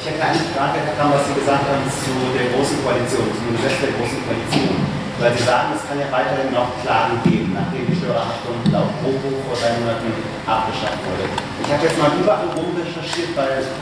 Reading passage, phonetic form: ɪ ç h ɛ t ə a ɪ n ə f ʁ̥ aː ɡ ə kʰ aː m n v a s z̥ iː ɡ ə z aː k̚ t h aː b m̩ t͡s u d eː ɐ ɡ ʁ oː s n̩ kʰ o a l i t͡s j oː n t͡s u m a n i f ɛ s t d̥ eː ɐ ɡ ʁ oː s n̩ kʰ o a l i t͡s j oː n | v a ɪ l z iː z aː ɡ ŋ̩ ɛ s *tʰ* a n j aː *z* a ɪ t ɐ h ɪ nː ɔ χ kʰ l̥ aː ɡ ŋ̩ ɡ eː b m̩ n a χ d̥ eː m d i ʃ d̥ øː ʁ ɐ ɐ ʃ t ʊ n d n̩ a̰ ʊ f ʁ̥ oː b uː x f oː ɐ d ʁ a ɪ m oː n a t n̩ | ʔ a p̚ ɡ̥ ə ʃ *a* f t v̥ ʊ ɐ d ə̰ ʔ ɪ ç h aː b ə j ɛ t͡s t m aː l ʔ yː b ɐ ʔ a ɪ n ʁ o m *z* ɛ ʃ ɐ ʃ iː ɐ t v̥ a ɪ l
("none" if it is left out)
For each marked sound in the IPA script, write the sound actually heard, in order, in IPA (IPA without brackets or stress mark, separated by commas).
kʰ, v, a, ʁ